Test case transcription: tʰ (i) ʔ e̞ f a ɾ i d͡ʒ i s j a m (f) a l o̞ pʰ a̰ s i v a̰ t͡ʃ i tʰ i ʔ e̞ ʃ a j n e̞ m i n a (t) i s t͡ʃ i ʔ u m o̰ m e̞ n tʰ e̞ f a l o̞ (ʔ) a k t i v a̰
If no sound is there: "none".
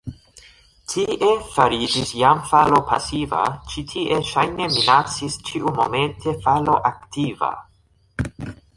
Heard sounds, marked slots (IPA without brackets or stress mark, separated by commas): i, f, t͡s, ʔ